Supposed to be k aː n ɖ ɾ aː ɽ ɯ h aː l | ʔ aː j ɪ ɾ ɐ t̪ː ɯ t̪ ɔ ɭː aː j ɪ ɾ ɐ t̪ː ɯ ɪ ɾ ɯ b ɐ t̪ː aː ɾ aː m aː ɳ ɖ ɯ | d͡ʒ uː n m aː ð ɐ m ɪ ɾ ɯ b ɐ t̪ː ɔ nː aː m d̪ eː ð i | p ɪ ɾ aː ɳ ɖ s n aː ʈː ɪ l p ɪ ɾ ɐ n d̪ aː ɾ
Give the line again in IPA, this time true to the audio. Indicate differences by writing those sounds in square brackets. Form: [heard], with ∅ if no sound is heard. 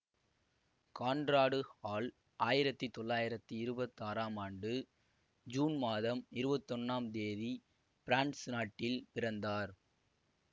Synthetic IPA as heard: k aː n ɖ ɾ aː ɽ ɯ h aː l | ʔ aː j ɪ ɾ ɐ t̪ː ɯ t̪ ɔ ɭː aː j ɪ ɾ ɐ t̪ː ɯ ɪ ɾ ɯ b ɐ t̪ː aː ɾ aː m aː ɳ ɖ ɯ | d͡ʒ uː n m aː ð ɐ m ɪ ɾ ɯ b ɐ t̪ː ɔ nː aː m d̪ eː ð i | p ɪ ɾ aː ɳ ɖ s n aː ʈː ɪ l p ɪ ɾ ɐ n d̪ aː ɾ